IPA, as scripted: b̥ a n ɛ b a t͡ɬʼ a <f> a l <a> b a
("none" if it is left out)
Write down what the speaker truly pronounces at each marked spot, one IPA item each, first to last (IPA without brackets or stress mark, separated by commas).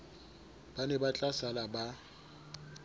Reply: s, a